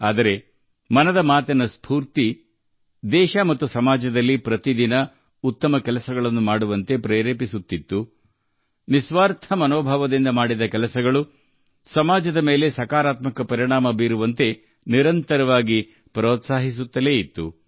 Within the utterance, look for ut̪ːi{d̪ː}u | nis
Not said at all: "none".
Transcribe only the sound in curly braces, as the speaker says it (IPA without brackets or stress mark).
t̪ː